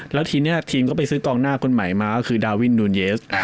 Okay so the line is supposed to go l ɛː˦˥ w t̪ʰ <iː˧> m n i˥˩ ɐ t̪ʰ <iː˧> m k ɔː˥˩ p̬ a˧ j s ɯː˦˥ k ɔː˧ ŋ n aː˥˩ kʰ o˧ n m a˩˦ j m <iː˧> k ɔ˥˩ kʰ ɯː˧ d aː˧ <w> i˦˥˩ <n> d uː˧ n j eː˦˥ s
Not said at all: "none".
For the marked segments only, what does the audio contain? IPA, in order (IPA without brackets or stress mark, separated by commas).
iː˧, iː˧, aː˧, w, n